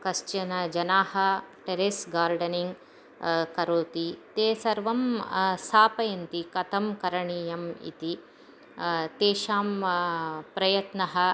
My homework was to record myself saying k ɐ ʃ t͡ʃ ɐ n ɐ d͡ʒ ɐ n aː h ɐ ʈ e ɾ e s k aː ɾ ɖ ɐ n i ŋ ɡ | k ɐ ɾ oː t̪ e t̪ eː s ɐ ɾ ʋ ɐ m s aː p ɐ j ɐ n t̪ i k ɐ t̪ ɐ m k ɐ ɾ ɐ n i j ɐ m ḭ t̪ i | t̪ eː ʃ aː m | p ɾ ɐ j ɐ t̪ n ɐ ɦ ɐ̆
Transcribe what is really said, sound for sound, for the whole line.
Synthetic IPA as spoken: k ɐ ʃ t͡ʃ ɐ n ɐ d͡ʒ ɐ n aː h ɐ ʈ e ɾ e s ɡ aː ɾ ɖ ɐ n i ŋ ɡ | k ɐ ɾ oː t̪ i t̪ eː s ɐ ɾ ʋ ɐ m s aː p ɐ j ɐ n t̪ i k ɐ t̪ ɐ m k ɐ ɾ ɐ ɳ i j ɐ m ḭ t̪ i | t̪ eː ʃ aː m | p ɾ ɐ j ɐ t̪ n ɐ ɦ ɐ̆